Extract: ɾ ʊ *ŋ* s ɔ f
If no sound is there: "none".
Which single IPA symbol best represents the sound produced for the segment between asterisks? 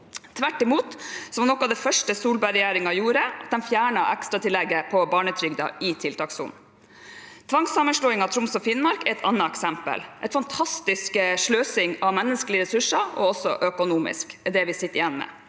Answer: m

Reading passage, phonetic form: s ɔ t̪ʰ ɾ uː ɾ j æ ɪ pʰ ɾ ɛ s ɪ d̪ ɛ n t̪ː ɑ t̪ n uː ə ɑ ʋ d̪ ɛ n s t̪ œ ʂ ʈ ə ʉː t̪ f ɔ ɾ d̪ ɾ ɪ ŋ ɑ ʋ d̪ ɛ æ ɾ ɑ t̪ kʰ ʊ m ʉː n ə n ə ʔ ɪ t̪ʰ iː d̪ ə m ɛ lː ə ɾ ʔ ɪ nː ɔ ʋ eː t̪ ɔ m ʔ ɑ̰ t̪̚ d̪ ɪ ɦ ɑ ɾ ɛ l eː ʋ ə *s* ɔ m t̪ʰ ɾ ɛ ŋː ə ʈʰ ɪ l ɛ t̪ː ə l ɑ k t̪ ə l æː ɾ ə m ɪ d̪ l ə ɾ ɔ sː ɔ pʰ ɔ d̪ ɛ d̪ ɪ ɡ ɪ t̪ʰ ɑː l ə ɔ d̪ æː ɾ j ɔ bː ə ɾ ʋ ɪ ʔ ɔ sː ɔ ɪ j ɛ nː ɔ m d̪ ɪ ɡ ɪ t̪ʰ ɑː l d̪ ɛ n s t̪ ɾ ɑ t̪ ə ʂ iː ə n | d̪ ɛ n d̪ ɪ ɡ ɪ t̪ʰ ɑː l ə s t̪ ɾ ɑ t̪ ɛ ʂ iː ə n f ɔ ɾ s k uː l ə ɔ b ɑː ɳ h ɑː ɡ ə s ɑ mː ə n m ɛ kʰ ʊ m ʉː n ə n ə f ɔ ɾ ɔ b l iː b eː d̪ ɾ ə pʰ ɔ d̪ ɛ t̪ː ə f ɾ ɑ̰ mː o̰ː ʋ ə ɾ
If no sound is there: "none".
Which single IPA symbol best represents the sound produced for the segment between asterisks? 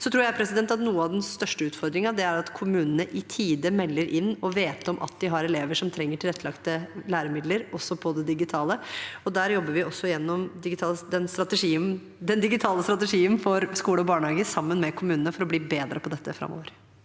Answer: ʂ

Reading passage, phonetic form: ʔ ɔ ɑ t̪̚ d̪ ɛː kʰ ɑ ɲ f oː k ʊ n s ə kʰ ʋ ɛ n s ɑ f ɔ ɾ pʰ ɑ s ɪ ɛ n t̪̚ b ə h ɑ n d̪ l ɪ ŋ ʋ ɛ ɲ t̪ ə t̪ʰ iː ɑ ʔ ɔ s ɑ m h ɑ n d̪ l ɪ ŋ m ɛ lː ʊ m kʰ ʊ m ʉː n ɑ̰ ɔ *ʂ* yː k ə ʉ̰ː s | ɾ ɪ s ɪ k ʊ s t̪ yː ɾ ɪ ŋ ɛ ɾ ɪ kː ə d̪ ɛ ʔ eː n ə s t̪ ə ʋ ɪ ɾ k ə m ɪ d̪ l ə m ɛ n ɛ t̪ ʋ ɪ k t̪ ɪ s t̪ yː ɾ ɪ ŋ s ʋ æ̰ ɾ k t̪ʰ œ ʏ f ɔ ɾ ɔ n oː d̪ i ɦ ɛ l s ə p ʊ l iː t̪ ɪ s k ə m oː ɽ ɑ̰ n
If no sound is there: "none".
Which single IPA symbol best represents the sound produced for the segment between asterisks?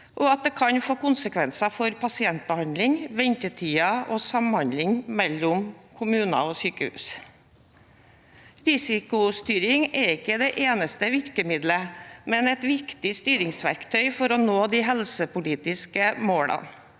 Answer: s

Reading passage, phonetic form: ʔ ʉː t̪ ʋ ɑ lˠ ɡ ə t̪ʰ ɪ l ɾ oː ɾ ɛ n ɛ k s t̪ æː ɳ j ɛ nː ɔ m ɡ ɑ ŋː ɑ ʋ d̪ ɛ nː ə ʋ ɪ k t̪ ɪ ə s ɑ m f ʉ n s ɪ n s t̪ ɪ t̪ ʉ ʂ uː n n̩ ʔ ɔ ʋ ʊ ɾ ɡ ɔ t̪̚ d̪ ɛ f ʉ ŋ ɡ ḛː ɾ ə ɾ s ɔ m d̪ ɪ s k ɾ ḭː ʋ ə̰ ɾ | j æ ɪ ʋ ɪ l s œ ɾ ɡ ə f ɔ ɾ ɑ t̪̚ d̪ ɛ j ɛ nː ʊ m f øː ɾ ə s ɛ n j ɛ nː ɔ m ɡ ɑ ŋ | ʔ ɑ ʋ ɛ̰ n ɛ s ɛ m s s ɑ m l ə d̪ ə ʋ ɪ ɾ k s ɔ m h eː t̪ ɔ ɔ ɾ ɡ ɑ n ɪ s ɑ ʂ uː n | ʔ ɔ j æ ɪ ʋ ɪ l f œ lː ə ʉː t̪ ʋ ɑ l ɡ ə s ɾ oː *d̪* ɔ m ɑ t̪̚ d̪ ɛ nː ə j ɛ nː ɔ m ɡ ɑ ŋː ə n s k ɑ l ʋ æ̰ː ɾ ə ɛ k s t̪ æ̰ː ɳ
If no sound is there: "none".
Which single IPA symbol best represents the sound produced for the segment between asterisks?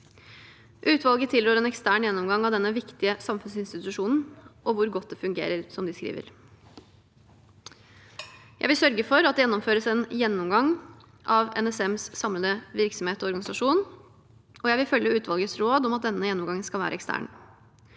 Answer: d̪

